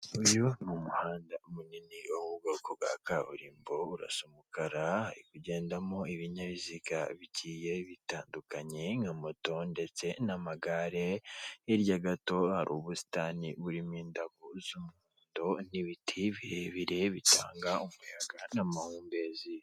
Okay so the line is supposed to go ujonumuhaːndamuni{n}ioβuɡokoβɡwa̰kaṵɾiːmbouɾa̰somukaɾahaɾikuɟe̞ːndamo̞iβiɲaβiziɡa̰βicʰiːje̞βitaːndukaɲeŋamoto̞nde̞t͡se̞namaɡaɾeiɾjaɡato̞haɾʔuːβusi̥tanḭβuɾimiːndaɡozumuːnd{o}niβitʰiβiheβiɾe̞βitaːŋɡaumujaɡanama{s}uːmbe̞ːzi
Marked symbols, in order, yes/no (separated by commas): yes, yes, no